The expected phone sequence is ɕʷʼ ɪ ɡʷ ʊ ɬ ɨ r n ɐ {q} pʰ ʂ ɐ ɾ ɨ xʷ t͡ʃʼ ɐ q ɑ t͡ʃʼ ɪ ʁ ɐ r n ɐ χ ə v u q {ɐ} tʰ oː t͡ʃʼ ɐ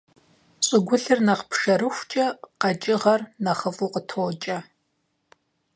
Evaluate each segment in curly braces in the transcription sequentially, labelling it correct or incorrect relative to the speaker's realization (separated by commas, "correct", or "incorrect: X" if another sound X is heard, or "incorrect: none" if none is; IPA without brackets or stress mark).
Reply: correct, incorrect: ə